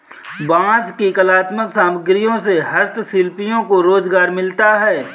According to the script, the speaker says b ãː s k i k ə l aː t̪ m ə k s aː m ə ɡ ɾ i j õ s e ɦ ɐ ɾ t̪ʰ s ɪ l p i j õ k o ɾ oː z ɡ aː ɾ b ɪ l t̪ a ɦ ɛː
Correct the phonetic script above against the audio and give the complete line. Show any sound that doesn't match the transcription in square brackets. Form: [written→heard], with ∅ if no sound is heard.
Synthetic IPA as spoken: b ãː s k i k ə l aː t̪ m ə k s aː m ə ɡ ɾ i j õ s e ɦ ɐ ɾ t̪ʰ s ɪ l p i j õ k o ɾ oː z ɡ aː ɾ [b→m] ɪ l t̪ a ɦ ɛː